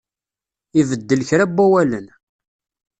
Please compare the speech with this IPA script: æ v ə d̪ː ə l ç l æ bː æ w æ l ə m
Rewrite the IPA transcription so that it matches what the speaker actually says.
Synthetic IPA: i v ə d̪ː ə l ç ɾ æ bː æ w æ l ə n